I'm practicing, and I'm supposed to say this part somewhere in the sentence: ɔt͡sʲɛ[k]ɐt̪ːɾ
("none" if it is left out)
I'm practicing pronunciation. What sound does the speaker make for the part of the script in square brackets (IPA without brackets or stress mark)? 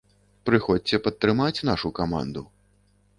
p